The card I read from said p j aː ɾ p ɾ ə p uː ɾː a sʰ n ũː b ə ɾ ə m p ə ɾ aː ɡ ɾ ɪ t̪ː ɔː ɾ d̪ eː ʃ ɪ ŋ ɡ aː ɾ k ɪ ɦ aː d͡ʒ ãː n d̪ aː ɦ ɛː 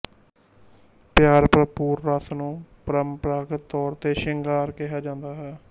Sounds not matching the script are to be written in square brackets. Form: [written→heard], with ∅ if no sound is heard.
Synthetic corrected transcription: p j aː ɾ p ɾ ə p uː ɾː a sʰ n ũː [b→p] ə ɾ ə m p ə ɾ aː ɡ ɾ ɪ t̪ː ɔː ɾ [d̪→t̪] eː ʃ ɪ ŋ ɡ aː ɾ k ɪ ɦ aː d͡ʒ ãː n d̪ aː ɦ ɛː